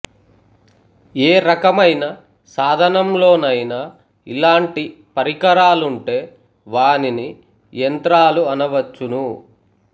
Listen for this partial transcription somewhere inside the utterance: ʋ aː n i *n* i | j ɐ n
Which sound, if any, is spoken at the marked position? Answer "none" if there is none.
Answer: n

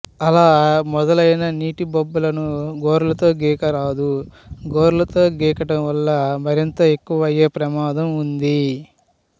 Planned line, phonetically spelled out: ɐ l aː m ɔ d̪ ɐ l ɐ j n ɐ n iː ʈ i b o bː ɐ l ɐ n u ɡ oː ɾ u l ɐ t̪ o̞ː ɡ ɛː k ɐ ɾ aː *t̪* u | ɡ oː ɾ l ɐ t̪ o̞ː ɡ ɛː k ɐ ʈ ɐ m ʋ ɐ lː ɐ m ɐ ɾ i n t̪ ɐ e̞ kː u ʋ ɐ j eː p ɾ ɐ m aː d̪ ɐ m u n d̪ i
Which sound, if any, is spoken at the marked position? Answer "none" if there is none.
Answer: d̪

